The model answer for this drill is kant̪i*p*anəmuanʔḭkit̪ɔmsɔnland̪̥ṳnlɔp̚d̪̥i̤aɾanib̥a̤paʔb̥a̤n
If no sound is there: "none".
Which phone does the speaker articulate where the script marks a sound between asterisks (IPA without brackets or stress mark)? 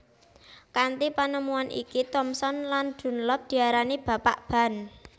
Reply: p